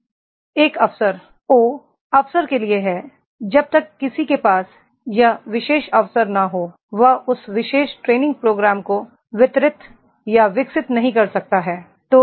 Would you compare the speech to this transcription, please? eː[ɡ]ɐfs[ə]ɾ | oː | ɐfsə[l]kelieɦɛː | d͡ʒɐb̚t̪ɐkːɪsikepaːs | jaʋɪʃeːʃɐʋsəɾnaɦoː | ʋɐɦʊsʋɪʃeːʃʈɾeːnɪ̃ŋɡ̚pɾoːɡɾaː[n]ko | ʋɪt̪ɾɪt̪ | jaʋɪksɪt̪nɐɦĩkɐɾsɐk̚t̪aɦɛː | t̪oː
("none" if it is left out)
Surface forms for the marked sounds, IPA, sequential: k, ə, ɾ, m

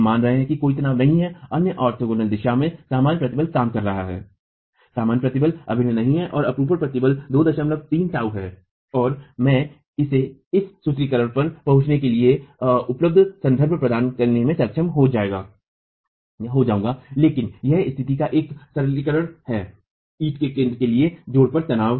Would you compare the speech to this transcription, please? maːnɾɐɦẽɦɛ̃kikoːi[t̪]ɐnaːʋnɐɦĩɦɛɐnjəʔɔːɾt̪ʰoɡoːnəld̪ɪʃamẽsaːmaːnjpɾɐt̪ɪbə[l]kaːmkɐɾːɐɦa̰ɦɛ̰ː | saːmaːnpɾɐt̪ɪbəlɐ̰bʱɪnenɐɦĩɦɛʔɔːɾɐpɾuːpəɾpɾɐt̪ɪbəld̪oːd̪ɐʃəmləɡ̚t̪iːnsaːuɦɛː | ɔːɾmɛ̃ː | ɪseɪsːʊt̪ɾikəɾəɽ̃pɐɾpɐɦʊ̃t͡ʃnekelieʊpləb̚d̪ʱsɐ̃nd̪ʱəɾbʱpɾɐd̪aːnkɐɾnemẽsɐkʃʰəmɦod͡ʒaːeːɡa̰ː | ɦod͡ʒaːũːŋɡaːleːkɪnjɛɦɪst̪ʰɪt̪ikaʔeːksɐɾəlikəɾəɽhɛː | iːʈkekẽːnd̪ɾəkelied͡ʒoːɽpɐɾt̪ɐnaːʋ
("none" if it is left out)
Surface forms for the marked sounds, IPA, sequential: t̪, l

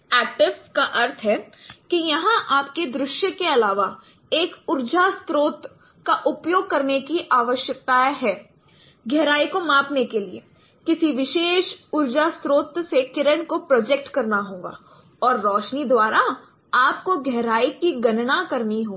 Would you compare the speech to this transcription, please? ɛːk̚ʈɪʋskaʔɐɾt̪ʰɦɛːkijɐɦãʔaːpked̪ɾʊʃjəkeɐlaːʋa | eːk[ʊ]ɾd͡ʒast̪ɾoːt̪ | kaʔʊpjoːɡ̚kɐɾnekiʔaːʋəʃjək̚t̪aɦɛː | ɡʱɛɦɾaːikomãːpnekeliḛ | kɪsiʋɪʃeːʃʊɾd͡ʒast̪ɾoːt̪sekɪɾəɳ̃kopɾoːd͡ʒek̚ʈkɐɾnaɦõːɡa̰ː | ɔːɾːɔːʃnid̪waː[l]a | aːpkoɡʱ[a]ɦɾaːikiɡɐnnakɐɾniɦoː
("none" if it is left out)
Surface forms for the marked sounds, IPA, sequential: ʊ, ɾ, ɛ

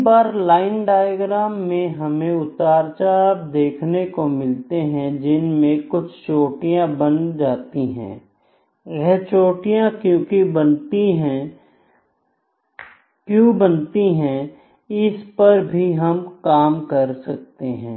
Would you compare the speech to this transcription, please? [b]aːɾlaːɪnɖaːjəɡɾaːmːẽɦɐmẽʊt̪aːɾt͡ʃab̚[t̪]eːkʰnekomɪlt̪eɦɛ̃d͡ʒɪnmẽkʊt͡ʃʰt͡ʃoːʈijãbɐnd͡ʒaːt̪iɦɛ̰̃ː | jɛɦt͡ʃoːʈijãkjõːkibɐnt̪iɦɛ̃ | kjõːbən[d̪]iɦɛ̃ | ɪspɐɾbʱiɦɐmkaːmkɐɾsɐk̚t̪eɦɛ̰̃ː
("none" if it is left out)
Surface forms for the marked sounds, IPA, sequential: b, d̪, t̪

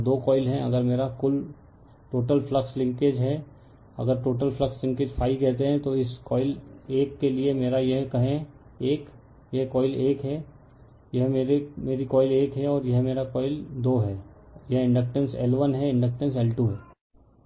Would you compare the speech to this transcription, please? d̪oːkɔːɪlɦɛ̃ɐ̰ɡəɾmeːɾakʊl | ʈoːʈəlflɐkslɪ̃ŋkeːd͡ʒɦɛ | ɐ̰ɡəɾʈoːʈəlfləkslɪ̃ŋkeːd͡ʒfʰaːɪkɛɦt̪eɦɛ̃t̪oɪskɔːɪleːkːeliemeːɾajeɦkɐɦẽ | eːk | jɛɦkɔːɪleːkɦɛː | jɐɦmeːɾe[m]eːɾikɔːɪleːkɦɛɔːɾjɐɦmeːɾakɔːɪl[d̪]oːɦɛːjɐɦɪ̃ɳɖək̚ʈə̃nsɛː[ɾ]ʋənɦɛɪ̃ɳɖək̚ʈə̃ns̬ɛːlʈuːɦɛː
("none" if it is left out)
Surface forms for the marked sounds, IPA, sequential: m, d̪, l

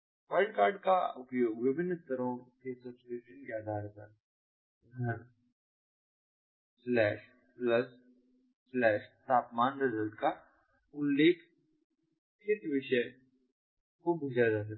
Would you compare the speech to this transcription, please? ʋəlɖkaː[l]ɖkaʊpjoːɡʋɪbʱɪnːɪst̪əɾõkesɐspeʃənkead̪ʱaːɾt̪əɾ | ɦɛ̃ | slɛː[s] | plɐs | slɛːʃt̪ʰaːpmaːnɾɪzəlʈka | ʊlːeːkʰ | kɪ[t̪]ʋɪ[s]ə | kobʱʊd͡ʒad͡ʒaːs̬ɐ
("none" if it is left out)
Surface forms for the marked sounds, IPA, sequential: ɾ, ʃ, t̪, ʃ

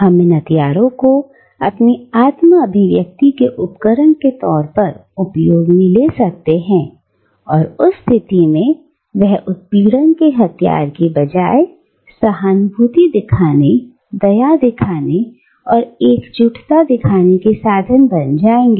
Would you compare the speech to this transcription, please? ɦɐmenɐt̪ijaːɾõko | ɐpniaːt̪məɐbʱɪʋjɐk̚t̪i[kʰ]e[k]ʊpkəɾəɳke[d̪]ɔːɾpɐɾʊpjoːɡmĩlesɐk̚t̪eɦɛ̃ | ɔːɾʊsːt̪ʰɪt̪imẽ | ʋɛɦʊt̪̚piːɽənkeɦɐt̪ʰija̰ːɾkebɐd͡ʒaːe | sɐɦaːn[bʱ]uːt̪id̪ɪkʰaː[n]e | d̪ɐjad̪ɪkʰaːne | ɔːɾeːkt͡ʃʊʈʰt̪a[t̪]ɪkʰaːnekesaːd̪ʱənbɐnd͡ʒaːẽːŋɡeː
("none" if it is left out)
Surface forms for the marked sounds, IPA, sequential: k, ʔ, t̪, bʱ, n, d̪

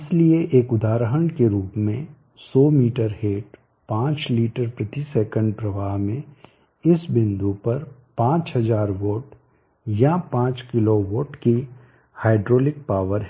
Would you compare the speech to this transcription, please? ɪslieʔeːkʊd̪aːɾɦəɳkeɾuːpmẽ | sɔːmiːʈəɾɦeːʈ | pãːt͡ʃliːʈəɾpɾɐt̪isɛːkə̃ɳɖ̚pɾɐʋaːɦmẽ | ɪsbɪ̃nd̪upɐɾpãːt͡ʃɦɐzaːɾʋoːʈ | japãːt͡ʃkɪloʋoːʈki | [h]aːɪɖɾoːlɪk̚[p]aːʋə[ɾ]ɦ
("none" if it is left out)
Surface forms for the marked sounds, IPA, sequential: h, p, ɾ

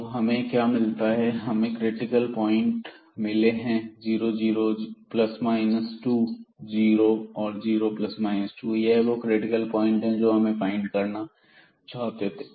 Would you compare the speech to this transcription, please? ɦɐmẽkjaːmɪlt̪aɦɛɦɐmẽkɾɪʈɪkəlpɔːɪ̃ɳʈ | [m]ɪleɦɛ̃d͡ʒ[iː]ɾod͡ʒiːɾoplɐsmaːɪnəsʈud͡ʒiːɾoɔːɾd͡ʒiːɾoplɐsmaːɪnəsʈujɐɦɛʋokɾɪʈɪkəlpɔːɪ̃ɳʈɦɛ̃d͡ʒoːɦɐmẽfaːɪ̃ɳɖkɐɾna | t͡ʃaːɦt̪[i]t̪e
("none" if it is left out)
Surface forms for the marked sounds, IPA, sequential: m, iː, e

